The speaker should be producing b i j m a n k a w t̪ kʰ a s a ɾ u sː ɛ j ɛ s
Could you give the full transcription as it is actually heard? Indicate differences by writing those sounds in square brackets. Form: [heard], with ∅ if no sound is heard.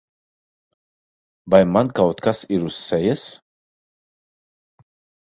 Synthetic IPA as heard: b [a] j m a n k a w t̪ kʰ a s [i] ɾ u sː ɛ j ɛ s